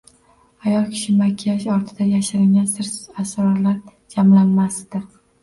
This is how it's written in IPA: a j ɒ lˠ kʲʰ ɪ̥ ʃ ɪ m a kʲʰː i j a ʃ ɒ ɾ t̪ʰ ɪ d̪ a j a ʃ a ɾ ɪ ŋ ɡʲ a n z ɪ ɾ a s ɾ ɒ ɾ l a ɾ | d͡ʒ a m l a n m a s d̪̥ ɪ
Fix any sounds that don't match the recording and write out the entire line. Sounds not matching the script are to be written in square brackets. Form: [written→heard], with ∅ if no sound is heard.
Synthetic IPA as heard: a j ɒ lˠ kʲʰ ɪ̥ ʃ ɪ m a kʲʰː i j a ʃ ɒ ɾ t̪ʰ ɪ d̪ a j a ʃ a ɾ ɪ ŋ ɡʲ a n [z→s] ɪ ɾ a s ɾ ɒ ɾ l a ɾ | d͡ʒ a m l a n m a s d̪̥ ɪ